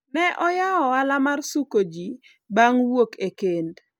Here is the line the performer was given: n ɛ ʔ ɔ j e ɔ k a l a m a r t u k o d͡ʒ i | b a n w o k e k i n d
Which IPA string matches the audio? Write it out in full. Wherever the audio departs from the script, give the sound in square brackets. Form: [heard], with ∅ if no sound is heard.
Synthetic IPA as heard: n ɛ ʔ ɔ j [a] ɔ [∅] a l a m a r [s] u k o d͡ʒ i | b a [ŋ] w o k e k [e] n d